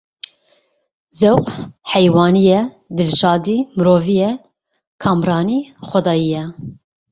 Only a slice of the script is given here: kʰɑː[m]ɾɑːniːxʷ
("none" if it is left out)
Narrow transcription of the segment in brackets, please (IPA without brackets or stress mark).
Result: m